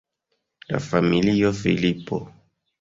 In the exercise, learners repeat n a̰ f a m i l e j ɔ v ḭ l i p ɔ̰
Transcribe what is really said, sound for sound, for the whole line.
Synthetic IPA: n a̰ f a m i l i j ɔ f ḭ l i p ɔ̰